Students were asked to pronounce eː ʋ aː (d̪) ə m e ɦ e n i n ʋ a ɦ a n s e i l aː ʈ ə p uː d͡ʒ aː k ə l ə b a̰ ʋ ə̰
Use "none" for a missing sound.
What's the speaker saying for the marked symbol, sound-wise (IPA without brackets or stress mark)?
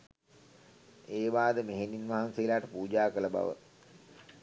d̪